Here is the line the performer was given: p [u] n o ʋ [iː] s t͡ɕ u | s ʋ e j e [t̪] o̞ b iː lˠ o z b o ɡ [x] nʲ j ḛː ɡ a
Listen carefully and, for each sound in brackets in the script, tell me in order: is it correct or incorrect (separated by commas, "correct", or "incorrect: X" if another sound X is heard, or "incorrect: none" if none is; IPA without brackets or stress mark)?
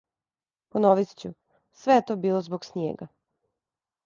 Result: incorrect: o, incorrect: i, correct, incorrect: s